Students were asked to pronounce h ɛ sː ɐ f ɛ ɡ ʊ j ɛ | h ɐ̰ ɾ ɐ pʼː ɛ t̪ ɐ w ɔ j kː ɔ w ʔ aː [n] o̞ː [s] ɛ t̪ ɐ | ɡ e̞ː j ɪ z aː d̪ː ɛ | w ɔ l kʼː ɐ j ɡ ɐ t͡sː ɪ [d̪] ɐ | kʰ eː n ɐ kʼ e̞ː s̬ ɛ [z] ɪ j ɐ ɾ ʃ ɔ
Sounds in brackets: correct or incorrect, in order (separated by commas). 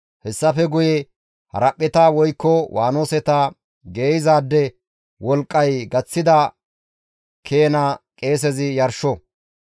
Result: correct, correct, correct, correct